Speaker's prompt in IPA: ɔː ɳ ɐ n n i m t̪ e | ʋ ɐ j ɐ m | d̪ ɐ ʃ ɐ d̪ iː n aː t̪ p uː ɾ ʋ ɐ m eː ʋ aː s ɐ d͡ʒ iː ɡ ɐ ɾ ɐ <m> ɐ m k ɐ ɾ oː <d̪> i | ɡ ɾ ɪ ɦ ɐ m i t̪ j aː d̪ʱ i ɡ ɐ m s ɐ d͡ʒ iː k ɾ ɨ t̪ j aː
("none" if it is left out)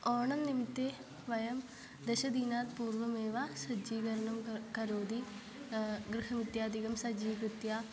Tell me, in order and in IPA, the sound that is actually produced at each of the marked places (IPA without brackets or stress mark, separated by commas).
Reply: ɳ, d̪